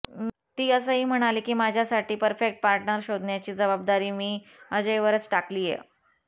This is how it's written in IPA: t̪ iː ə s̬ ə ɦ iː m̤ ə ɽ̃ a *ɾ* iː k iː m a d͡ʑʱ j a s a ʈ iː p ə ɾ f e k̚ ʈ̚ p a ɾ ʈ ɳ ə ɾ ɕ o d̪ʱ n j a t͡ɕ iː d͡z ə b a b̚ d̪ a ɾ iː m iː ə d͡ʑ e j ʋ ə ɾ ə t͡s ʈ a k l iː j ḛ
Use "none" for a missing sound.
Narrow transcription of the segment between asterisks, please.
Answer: l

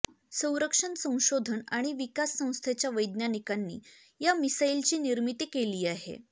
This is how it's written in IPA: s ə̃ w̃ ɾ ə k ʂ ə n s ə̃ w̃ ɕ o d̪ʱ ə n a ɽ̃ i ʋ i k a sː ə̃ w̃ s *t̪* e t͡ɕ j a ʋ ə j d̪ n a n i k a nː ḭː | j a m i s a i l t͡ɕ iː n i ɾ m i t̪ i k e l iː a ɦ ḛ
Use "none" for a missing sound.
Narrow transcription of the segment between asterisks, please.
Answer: t̪ʰ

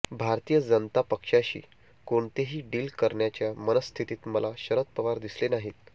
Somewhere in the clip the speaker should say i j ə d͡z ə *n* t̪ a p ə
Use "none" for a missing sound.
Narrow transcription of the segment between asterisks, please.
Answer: n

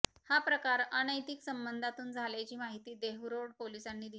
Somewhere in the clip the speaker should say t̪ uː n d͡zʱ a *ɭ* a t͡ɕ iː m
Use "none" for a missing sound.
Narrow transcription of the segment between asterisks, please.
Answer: l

